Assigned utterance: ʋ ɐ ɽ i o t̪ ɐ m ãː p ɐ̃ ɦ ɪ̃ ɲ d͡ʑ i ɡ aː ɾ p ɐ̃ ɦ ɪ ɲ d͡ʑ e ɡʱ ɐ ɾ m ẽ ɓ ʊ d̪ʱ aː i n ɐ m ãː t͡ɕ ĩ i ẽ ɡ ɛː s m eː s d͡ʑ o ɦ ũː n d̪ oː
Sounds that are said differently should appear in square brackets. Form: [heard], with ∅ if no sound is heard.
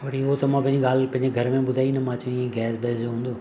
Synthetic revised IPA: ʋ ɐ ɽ i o t̪ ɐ m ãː p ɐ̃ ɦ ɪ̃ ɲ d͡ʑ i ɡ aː [l] p ɐ̃ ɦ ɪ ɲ d͡ʑ e ɡʱ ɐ ɾ m ẽ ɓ ʊ d̪ʱ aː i n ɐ m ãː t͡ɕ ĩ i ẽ ɡ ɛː s [b] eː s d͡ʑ o ɦ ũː n d̪ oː